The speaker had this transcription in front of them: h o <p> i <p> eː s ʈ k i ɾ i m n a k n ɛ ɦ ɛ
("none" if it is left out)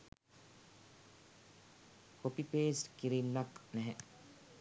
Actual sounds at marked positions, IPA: p, p

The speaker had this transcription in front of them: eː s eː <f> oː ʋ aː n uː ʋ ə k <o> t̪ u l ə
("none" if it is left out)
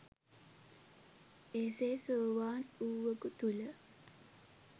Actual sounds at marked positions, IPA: s, u

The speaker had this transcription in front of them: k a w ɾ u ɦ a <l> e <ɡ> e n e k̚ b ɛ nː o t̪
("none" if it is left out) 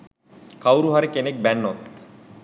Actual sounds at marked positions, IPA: ɾ, k

